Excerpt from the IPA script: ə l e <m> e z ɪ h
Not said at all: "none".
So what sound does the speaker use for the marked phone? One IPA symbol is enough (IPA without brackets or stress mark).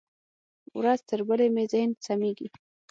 m